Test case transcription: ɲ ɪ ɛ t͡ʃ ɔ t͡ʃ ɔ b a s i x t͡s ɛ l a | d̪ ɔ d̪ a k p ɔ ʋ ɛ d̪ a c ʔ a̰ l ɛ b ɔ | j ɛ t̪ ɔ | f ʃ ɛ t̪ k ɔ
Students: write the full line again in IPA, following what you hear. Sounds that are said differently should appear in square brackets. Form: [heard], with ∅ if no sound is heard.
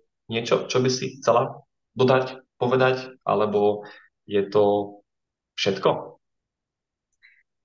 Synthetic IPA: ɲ ɪ ɛ t͡ʃ ɔ t͡ʃ ɔ b [i] s i x t͡s ɛ l a | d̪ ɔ d̪ a [c] p ɔ ʋ ɛ d̪ a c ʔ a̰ l ɛ b ɔ | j ɛ t̪ ɔ | f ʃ ɛ t̪ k ɔ